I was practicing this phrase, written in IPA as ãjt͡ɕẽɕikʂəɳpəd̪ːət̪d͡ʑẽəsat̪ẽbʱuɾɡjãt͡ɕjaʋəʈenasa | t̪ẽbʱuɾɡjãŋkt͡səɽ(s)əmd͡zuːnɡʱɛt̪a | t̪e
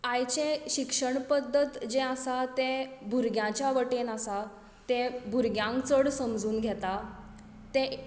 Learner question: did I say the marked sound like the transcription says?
yes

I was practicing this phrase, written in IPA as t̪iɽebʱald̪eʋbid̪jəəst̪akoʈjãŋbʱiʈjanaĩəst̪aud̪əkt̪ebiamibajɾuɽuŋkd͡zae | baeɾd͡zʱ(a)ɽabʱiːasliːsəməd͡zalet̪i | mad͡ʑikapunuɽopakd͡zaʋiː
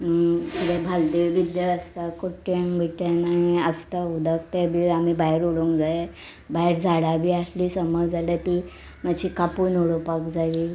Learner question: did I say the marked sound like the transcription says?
yes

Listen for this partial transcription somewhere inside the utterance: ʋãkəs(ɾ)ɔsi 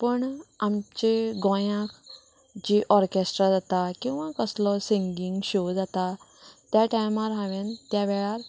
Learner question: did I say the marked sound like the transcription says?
no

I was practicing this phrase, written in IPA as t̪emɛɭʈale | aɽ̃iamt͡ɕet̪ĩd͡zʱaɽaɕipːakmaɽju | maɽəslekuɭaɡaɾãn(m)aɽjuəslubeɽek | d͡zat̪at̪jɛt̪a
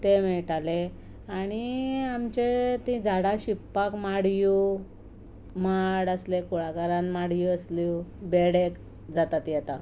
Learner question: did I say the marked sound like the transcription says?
yes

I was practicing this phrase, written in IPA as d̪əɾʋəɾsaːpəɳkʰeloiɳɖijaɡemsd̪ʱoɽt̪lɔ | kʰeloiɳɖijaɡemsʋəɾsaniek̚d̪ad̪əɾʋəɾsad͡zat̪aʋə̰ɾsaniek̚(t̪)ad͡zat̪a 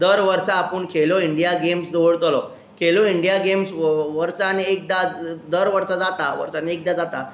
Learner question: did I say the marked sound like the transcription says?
no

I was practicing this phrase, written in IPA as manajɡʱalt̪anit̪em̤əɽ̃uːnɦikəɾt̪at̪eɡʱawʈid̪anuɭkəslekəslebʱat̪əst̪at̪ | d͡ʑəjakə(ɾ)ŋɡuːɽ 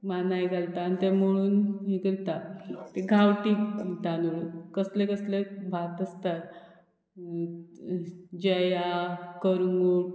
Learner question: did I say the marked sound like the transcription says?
yes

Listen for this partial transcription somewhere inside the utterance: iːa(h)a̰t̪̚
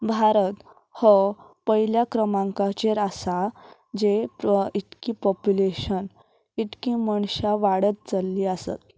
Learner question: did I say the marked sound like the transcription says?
no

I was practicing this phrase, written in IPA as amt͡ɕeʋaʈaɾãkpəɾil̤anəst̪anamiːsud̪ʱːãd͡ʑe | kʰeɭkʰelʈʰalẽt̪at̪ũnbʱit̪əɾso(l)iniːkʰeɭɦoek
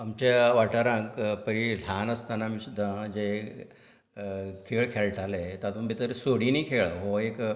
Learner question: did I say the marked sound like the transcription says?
no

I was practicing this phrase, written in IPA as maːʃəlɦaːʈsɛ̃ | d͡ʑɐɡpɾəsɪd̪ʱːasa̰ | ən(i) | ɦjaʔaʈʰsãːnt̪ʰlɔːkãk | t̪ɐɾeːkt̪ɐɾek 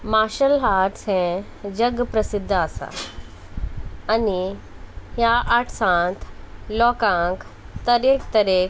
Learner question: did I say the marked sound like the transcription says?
yes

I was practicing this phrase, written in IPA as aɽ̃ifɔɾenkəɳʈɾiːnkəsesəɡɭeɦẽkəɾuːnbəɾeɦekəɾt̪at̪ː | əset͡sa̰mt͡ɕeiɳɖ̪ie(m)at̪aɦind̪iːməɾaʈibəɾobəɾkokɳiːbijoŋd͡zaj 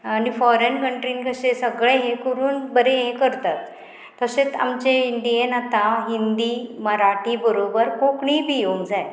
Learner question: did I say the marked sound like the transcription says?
no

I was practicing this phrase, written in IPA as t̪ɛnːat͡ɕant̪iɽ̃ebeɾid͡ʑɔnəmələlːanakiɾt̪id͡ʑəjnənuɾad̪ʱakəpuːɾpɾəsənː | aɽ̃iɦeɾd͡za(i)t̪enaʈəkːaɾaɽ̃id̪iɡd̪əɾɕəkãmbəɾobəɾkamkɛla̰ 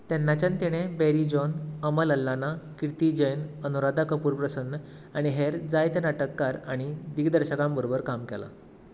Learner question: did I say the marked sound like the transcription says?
no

